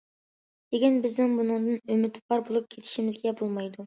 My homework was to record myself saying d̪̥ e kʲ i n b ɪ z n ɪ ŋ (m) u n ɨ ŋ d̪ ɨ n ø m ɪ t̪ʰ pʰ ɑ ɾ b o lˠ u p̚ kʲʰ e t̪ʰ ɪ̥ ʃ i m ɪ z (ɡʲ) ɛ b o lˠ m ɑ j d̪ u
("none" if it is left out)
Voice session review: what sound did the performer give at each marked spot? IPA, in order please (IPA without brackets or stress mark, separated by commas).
b, ɡʲ